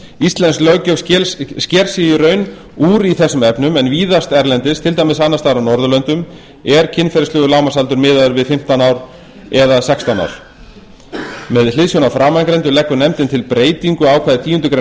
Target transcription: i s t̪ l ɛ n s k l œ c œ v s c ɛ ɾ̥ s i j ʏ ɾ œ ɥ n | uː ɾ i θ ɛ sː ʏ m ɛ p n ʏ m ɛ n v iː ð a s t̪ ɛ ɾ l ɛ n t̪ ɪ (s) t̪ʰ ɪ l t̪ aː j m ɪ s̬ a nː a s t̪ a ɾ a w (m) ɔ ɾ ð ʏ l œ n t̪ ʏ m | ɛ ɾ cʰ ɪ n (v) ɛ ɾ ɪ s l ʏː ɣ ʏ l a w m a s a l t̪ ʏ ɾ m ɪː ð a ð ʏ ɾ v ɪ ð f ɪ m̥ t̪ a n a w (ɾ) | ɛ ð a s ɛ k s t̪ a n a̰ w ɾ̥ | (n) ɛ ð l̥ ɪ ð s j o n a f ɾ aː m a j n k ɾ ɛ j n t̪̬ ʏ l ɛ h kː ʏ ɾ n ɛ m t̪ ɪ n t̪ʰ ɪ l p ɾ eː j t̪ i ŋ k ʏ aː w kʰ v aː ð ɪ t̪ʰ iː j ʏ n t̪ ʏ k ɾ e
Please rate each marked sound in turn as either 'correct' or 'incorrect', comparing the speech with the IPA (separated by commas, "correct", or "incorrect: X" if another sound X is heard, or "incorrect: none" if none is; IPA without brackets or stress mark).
correct, incorrect: n, incorrect: f, correct, incorrect: m